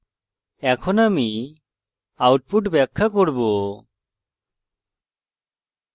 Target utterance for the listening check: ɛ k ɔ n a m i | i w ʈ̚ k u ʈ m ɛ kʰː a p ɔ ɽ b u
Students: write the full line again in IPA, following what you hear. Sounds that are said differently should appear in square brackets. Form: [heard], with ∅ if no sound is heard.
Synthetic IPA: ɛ [kʰ] ɔ n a m i | [a] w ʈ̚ [p] u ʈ [b] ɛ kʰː a [k] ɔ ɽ b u